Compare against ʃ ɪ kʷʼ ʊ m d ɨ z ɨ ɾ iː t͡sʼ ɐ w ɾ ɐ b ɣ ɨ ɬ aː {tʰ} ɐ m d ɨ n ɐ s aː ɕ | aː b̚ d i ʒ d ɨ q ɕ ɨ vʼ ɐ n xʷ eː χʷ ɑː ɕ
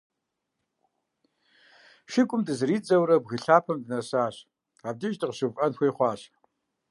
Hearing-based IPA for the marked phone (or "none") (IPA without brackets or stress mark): pʰ